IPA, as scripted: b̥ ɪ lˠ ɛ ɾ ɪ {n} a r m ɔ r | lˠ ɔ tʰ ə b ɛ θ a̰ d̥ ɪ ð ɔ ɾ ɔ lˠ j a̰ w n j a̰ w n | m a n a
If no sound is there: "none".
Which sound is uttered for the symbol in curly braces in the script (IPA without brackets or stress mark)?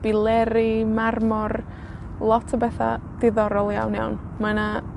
m